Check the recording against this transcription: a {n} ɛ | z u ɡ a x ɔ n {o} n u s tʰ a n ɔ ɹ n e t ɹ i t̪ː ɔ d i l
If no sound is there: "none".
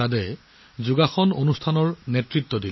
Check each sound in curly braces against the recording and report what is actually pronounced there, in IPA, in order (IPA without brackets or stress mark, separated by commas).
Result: d, o